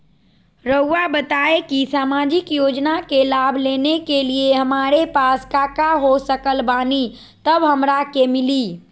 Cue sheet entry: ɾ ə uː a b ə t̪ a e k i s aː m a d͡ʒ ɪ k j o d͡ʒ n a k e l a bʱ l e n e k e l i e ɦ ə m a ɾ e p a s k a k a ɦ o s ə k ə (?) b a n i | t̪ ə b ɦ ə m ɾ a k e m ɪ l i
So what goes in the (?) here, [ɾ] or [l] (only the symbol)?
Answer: l